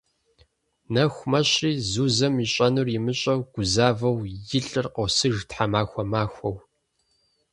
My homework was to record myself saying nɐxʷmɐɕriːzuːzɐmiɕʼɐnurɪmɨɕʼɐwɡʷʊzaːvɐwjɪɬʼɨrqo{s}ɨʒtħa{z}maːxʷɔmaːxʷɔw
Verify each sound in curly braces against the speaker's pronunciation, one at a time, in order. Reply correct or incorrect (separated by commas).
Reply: correct, incorrect